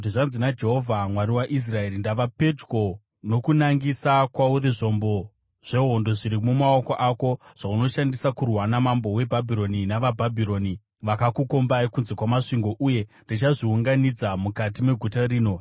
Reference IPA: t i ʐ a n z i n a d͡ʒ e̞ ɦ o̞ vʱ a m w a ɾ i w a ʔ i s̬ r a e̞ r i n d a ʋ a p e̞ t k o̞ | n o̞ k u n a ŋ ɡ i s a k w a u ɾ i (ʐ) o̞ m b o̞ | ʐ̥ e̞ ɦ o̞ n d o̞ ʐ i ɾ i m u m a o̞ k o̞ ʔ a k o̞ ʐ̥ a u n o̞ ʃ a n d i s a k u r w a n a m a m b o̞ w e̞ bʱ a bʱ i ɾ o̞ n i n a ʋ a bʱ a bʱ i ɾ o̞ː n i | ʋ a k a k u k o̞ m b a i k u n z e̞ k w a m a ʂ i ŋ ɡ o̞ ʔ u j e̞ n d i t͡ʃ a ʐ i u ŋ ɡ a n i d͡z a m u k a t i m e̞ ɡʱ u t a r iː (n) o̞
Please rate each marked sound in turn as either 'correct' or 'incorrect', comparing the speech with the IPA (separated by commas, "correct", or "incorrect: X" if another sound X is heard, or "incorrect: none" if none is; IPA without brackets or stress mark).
correct, correct